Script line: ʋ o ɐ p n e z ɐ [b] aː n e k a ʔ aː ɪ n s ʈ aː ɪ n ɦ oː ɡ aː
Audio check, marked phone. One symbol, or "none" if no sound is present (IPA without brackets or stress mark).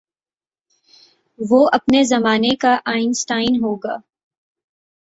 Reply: m